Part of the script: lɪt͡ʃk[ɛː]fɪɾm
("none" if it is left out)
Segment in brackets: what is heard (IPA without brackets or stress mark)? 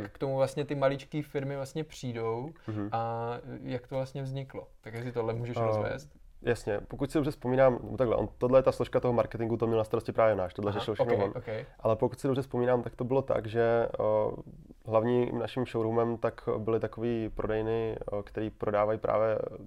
iː